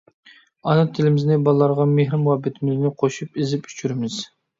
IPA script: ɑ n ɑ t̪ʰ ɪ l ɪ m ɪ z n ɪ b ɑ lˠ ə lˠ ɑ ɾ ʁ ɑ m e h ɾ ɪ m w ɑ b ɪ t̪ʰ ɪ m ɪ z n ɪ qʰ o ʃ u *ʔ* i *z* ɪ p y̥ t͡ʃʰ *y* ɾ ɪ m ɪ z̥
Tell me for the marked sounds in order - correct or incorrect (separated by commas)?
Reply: incorrect, correct, correct